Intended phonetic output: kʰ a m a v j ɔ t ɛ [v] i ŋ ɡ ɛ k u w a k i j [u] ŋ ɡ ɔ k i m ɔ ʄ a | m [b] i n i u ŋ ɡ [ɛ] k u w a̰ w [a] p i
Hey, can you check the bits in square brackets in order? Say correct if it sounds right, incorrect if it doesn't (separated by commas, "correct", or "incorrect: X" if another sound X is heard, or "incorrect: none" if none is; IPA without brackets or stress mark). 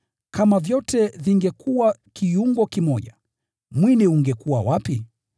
correct, correct, incorrect: w, correct, correct